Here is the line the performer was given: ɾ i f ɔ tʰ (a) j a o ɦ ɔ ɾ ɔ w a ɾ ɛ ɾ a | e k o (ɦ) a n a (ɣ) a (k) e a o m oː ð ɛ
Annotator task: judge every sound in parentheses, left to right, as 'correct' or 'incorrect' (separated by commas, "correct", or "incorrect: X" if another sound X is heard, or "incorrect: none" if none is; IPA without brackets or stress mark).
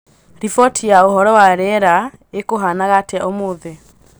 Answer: incorrect: i, correct, correct, incorrect: t